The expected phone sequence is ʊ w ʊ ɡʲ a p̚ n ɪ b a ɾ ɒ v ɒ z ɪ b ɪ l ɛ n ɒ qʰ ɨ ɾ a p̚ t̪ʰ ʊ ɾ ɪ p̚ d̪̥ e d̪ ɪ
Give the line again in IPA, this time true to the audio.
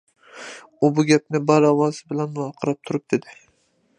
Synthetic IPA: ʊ b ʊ ɡʲ a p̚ n ɪ b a ɾ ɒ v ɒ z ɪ b ɪ l a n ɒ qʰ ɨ ɾ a p̚ t̪ʰ ʊ ɾ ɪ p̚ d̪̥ e d̪ ɪ